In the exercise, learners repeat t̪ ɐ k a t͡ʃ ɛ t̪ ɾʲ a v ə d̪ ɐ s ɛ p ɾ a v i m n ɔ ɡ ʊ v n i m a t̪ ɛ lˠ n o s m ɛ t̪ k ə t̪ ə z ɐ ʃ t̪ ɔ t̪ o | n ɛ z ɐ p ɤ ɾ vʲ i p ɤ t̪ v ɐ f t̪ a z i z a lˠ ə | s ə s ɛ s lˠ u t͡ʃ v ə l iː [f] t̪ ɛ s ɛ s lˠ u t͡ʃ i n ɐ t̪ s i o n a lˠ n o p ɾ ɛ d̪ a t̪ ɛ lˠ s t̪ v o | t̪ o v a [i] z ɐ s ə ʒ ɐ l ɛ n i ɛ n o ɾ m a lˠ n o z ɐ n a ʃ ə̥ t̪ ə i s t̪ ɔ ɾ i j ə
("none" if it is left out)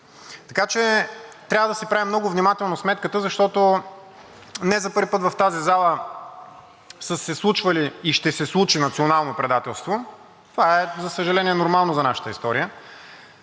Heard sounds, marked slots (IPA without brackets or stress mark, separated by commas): ʃ, ɛ